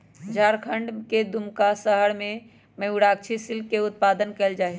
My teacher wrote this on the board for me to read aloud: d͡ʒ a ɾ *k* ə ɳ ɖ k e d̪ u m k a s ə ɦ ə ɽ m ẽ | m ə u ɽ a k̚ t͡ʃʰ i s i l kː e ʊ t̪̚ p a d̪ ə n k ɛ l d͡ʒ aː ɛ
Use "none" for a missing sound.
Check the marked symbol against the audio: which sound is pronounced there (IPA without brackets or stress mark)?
kʰ